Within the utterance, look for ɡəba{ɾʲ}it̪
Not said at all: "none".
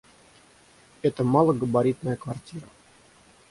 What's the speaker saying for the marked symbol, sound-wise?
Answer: ɾʲ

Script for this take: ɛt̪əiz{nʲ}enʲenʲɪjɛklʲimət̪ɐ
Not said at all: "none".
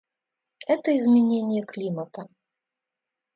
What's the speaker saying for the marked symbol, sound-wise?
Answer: mʲ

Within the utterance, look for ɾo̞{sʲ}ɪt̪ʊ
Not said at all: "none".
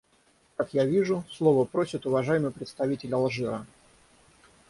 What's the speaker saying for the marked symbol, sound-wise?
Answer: sʲ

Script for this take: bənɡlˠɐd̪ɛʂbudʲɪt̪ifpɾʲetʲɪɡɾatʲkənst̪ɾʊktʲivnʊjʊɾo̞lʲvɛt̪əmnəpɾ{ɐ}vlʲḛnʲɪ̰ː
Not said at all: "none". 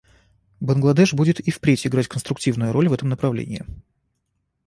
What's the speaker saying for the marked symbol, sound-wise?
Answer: ɐ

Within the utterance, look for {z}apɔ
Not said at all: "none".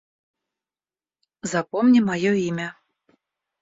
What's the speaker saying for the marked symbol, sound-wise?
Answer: z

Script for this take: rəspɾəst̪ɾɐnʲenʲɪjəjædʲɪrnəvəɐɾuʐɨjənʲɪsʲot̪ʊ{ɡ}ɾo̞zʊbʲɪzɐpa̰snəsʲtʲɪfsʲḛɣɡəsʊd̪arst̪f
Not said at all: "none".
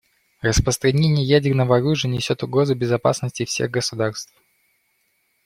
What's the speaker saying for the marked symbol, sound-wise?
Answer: ɡ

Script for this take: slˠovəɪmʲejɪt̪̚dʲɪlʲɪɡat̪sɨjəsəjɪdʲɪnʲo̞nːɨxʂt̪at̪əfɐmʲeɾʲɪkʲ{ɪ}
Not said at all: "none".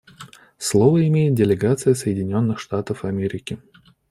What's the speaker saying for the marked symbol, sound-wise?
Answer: ɪ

